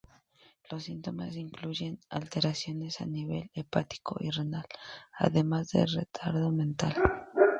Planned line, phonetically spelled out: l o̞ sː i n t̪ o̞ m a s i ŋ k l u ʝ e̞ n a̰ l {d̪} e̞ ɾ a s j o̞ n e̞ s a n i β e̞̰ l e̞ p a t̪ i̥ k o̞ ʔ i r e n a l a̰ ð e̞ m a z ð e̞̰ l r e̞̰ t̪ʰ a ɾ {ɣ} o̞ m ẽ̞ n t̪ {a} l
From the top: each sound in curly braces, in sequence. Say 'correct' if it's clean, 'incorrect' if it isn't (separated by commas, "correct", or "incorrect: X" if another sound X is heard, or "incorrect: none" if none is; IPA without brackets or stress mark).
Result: incorrect: t̪, incorrect: ð, correct